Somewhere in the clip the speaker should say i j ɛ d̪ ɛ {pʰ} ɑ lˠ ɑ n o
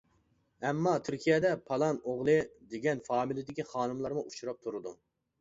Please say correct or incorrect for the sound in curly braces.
correct